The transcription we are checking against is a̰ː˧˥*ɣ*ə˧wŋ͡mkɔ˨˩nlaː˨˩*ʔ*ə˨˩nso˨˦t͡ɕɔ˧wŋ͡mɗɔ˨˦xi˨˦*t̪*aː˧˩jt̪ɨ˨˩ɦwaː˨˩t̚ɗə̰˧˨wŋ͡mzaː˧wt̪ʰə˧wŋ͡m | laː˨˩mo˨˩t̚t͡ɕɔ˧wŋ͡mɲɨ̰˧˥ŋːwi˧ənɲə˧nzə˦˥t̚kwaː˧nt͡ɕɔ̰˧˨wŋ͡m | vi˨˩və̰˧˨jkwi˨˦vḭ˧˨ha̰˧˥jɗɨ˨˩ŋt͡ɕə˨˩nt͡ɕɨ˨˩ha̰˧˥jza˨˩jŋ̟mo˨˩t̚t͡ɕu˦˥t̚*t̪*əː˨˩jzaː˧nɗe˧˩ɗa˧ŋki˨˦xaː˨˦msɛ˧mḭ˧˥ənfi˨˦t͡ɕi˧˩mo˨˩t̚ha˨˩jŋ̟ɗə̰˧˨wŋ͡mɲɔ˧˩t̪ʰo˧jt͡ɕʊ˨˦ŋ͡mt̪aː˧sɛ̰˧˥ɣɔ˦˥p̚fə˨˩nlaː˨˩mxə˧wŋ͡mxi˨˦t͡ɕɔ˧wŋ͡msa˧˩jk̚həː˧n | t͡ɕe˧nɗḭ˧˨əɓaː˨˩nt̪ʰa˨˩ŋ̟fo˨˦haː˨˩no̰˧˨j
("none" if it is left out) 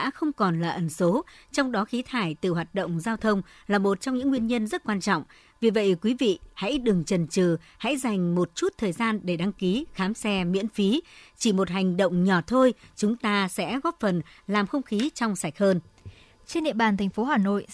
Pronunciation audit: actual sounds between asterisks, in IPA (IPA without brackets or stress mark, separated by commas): x, ʔ, t̪ʰ, t̪ʰ